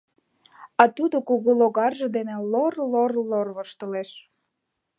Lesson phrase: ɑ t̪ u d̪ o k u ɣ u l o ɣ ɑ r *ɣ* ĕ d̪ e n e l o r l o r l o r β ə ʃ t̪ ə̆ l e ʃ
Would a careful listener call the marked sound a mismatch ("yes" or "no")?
yes